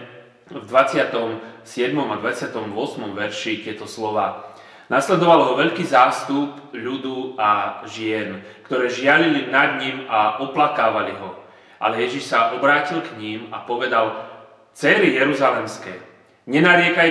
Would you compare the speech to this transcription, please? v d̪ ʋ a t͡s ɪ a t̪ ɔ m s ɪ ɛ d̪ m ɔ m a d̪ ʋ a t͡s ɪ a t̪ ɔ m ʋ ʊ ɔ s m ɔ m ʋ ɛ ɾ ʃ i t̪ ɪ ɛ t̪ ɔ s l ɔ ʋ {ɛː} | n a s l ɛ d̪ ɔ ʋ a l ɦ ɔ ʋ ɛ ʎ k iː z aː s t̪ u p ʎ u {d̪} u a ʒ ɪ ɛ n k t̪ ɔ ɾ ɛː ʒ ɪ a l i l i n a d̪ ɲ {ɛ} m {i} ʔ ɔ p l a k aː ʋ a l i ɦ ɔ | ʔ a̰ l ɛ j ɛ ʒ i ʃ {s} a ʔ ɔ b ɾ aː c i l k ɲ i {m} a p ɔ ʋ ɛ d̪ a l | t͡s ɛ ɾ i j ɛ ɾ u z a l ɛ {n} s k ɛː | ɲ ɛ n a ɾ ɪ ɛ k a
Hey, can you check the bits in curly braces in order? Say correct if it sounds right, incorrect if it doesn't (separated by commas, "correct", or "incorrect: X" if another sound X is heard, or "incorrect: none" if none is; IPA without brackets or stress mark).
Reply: incorrect: aː, correct, incorrect: i, incorrect: a, correct, correct, incorrect: m